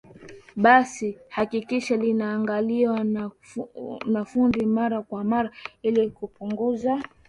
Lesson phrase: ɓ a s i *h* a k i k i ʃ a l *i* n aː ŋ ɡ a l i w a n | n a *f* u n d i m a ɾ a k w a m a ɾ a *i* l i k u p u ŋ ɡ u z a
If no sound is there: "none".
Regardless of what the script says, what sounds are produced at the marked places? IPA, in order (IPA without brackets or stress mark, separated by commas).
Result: h, i, f, i